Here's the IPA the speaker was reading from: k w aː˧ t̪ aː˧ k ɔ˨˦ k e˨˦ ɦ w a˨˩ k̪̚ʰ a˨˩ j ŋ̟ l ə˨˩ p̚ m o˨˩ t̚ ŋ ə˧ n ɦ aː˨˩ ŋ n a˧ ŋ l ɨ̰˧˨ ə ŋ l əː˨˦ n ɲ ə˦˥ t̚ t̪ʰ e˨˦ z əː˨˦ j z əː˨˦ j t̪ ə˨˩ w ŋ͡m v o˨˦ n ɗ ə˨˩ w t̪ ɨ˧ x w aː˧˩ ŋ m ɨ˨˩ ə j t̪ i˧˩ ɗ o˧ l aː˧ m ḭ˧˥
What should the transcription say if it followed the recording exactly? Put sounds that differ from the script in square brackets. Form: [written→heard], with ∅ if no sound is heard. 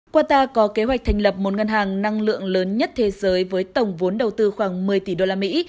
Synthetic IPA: k w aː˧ t̪ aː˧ k ɔ˨˦ k e˨˦ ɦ w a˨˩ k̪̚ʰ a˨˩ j ŋ̟ l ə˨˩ p̚ m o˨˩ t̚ ŋ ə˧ n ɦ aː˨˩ ŋ n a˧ ŋ l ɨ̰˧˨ ə ŋ l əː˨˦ n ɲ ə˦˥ t̚ t̪ʰ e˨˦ z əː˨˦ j [z→v] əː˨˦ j t̪ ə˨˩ w ŋ͡m v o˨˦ n ɗ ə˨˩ w t̪ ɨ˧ x w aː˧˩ ŋ m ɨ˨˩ ə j t̪ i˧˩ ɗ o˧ l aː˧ m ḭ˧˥